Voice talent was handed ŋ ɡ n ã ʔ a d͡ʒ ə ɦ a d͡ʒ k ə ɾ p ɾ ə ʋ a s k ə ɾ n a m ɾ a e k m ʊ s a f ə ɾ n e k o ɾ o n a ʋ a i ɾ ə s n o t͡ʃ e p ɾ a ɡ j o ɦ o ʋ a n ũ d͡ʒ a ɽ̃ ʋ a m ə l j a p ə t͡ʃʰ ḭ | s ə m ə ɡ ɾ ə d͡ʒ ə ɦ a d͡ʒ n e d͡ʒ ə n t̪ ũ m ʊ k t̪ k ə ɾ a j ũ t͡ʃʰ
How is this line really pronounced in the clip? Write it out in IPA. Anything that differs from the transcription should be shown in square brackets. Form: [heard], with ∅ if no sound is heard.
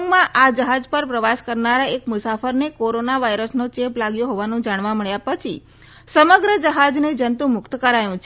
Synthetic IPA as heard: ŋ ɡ [m] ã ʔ a d͡ʒ ə ɦ a d͡ʒ [p] ə ɾ p ɾ ə ʋ a s k ə ɾ n a [∅] ɾ a e k m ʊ s a f ə ɾ n e k o ɾ o n a ʋ a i ɾ ə s n o t͡ʃ e p [l] a ɡ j o ɦ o ʋ a n ũ d͡ʒ a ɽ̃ ʋ a m ə [ɭ] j a p ə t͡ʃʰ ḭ | s ə m ə ɡ ɾ ə d͡ʒ ə ɦ a d͡ʒ n e d͡ʒ ə n t̪ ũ m ʊ k t̪ k ə ɾ a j ũ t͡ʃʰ

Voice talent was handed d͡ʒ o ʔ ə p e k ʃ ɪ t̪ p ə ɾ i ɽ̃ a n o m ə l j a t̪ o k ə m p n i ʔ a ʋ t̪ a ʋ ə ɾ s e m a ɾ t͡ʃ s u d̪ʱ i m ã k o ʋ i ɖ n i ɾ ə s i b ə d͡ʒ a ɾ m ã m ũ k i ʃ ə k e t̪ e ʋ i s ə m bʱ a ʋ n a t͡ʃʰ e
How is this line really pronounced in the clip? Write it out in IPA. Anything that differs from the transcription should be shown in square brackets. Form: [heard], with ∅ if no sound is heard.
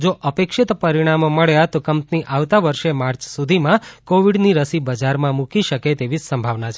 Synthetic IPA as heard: d͡ʒ o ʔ ə p e k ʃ ɪ t̪ p ə ɾ i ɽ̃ a [m] o m ə [ɭ] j a t̪ o k ə m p n i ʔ a ʋ t̪ a ʋ ə ɾ [ʃ] e m a ɾ t͡ʃ s u d̪ʱ i m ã k o ʋ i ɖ n i ɾ ə s i b ə d͡ʒ a ɾ m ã m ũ k i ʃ ə k e t̪ e ʋ i s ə m bʱ a ʋ n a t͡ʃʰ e

